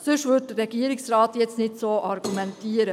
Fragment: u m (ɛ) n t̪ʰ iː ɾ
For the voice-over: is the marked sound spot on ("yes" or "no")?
yes